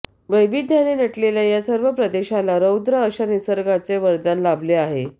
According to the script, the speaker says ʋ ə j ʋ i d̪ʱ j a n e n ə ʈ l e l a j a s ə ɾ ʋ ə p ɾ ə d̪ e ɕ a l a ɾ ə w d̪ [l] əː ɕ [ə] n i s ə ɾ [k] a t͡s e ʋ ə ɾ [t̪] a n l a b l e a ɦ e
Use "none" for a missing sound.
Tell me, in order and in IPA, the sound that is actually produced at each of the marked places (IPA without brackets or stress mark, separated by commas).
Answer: ɾ, a, ɡ, d̪